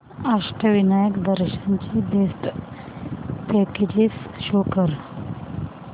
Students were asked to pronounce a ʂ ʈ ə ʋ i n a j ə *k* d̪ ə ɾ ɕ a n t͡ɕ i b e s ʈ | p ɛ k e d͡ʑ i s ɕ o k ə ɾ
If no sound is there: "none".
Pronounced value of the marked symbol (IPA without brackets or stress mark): k